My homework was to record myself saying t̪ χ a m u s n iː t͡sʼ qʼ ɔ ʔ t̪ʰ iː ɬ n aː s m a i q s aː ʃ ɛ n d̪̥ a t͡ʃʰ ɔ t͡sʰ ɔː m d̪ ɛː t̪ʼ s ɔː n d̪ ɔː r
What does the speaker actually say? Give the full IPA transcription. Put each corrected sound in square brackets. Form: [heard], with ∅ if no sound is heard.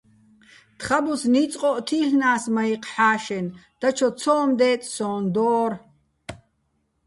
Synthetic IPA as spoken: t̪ χ a [b] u s n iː t͡sʼ qʼ ɔ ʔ t̪ʰ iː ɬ n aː s m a i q [ħ] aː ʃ ɛ n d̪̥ a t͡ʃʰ ɔ t͡sʰ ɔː m d̪ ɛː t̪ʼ s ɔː n d̪ ɔː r